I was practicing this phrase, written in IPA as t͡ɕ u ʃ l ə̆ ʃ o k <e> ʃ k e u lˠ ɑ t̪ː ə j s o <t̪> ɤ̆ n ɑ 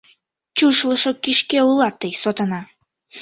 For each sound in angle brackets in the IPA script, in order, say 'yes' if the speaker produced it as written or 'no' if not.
no, yes

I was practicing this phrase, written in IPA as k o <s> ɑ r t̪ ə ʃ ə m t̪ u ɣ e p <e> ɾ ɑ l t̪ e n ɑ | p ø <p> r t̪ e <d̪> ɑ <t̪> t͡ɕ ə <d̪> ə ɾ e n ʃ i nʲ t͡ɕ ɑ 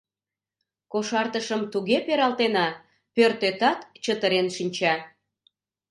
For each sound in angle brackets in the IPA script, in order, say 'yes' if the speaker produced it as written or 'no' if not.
no, yes, no, no, yes, no

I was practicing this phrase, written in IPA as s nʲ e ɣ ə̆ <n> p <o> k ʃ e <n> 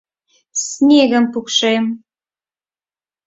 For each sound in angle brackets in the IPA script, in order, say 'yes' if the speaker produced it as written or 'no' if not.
no, no, no

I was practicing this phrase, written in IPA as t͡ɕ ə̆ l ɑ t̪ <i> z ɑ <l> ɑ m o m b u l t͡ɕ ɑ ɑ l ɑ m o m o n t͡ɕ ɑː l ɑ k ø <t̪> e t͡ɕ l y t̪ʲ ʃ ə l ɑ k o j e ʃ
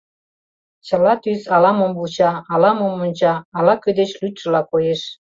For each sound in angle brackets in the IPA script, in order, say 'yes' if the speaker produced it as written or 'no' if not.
no, yes, no

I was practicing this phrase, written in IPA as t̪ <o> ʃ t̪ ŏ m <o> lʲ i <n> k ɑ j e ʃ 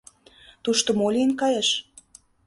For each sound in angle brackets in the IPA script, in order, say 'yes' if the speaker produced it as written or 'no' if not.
no, yes, yes

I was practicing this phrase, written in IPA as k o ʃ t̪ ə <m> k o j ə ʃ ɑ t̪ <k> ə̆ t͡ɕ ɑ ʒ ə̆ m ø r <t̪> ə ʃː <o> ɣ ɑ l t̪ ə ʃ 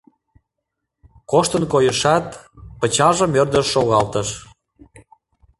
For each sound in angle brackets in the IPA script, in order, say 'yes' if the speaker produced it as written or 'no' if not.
no, no, no, yes

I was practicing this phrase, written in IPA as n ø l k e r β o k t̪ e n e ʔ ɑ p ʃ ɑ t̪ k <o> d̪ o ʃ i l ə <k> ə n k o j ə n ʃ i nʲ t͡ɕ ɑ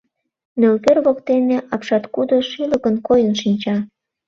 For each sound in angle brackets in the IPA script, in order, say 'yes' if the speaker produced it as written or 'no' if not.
no, yes

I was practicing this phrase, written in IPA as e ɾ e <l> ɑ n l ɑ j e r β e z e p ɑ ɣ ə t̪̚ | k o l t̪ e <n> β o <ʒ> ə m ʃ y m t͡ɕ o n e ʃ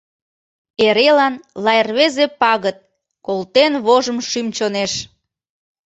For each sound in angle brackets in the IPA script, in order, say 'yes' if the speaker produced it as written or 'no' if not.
yes, yes, yes

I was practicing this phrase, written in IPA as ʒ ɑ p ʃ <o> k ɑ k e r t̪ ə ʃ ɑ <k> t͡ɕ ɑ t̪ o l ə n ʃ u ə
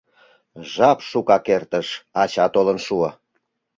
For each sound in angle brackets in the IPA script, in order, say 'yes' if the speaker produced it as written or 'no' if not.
no, no

